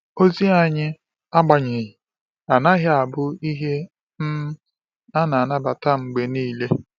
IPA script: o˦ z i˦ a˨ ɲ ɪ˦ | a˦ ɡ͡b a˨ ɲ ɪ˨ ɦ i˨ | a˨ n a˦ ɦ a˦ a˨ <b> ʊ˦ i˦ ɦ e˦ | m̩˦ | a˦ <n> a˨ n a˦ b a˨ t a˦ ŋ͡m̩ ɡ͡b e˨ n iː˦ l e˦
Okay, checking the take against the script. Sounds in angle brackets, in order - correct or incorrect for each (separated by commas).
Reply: correct, correct